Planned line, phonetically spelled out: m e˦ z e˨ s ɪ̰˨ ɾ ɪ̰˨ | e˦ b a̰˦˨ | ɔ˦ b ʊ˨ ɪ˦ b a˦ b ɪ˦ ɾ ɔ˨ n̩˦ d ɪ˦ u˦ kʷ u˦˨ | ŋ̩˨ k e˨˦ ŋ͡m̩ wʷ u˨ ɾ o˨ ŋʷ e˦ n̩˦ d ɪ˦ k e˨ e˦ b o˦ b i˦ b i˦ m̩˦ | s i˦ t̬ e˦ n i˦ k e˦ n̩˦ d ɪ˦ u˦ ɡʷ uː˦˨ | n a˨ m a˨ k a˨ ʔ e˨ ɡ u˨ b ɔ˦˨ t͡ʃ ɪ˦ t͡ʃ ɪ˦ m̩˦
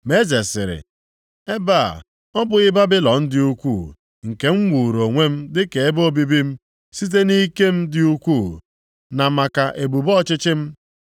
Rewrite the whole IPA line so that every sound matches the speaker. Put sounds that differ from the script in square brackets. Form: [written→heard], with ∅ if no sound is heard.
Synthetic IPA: m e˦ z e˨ s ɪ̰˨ ɾ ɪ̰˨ | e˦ b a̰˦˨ | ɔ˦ b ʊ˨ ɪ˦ b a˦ b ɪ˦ [ɾ→l] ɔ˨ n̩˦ d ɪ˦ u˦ kʷ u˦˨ | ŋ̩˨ k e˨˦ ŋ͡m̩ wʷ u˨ ɾ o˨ ŋʷ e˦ [n̩˦→m̩˦] d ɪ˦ k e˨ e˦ b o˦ b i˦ b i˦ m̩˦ | s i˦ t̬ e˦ n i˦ k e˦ [n̩˦→m̩˦] d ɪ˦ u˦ [ɡʷ→kʷ] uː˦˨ | n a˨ m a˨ k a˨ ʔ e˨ [ɡ→b] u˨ b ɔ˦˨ t͡ʃ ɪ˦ t͡ʃ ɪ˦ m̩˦